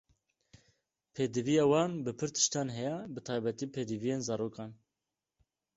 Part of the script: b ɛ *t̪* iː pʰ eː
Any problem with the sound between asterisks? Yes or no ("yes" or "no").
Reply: no